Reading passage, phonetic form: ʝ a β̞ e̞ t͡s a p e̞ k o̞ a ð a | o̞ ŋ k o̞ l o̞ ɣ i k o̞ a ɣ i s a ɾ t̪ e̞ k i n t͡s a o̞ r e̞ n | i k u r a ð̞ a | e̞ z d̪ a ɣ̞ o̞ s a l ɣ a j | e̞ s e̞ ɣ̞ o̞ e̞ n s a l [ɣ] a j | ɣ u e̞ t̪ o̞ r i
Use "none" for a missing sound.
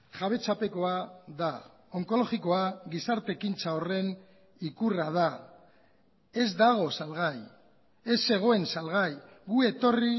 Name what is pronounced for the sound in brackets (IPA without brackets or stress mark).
ɣ